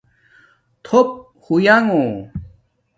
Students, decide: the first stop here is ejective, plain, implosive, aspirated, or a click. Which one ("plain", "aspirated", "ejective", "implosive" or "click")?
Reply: aspirated